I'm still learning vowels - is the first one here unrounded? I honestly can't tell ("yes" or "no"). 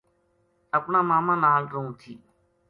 yes